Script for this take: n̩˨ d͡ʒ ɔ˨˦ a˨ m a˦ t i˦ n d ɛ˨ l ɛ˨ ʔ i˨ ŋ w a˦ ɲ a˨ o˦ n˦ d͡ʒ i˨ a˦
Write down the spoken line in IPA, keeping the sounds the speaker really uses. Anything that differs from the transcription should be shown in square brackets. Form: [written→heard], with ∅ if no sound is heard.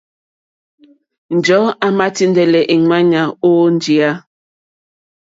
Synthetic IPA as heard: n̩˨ d͡ʒ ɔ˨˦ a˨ m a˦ t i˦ n d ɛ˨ l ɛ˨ ʔ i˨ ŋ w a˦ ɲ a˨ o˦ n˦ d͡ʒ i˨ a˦